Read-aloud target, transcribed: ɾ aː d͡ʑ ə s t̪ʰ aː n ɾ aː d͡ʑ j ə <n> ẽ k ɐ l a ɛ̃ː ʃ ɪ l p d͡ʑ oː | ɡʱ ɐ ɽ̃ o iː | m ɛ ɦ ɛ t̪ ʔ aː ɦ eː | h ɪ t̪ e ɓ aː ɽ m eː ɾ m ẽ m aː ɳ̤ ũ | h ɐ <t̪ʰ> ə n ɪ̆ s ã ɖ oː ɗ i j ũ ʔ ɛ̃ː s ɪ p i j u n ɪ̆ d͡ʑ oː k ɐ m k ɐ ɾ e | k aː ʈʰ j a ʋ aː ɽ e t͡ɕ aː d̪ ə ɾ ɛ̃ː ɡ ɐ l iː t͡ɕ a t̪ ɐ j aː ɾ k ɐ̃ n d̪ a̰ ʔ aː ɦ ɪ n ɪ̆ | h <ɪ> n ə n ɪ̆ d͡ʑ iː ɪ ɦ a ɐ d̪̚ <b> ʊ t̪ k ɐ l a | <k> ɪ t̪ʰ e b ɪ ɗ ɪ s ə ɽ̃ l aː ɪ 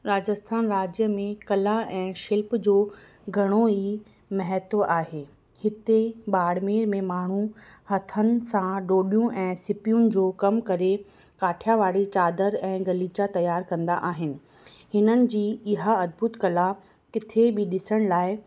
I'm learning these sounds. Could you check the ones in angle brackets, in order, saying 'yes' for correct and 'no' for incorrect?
no, yes, yes, yes, yes

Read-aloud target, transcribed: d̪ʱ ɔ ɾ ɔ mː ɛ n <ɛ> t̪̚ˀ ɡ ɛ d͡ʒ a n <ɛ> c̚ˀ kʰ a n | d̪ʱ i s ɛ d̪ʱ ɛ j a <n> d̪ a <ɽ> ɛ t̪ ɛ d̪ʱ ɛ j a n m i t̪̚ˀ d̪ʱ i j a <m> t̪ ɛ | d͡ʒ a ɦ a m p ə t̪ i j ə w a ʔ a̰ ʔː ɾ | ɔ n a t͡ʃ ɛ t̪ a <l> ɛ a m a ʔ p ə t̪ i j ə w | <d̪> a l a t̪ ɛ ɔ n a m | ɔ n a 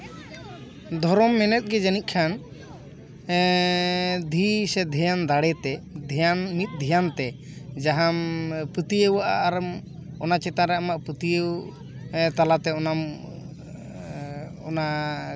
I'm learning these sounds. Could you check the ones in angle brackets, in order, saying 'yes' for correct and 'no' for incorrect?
yes, no, yes, yes, no, no, no

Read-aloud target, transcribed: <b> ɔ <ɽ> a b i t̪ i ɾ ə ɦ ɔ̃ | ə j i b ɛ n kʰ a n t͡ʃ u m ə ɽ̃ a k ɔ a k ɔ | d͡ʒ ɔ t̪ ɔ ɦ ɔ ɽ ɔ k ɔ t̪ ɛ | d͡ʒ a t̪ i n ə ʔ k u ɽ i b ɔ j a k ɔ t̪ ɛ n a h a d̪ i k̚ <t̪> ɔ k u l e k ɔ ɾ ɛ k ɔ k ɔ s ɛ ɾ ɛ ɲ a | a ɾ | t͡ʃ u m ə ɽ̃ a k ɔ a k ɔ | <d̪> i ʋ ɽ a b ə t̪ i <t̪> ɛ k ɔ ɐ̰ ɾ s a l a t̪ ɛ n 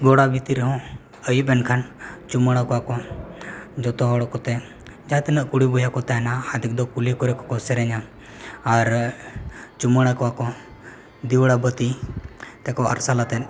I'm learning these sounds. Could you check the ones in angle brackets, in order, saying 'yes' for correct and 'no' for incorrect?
no, yes, no, yes, yes

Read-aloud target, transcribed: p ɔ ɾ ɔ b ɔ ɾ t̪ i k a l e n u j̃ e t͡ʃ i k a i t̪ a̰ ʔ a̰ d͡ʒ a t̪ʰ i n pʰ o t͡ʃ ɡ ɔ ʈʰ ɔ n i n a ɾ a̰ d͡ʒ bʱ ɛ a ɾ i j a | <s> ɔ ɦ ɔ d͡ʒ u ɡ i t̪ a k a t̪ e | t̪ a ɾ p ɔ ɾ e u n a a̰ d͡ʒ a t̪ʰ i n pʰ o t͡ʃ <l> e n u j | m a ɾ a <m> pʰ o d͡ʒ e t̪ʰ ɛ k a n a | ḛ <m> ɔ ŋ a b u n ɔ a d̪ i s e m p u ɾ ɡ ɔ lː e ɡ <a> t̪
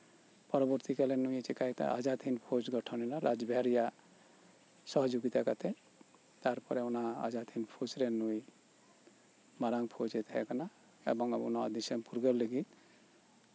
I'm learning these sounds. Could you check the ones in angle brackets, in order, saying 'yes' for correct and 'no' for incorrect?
yes, no, no, no, no

